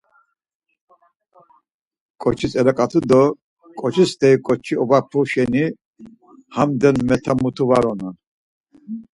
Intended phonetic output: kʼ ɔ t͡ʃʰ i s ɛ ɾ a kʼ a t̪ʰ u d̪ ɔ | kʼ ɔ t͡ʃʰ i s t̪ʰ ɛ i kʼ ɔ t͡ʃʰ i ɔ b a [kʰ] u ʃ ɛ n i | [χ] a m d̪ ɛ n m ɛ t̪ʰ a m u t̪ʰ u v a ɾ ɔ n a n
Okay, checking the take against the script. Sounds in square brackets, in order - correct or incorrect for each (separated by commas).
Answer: incorrect, incorrect